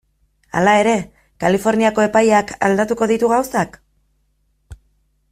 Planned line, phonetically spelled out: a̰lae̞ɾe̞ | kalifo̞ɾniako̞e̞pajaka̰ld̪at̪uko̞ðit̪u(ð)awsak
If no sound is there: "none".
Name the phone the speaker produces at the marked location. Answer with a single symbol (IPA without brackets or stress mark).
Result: ɣ